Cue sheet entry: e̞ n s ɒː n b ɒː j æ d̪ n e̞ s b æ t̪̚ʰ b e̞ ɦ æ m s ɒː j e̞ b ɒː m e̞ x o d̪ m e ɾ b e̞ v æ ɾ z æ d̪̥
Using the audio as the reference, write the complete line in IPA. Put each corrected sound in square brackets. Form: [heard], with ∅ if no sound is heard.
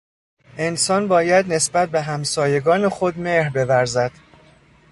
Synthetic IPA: e̞ n s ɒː n b ɒː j æ d̪ n e̞ s b æ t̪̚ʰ b e̞ ɦ æ m s ɒː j e̞ [ɡ] ɒː [n] e̞ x o d̪ m e ɾ b e̞ v æ ɾ z æ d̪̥